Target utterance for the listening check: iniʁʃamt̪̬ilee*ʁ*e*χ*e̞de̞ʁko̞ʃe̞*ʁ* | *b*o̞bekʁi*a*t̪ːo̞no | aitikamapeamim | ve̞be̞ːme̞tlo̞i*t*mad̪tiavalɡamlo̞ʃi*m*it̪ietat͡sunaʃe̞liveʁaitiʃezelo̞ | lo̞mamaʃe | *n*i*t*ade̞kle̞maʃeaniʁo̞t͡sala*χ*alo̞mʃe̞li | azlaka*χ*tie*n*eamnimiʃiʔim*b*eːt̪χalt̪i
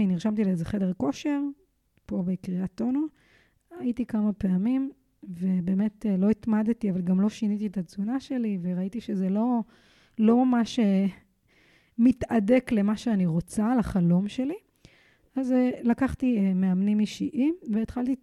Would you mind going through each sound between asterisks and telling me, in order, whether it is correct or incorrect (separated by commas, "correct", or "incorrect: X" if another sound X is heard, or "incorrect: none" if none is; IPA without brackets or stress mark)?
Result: incorrect: z, correct, correct, incorrect: p, correct, correct, incorrect: n, incorrect: m, correct, correct, correct, incorrect: m, incorrect: v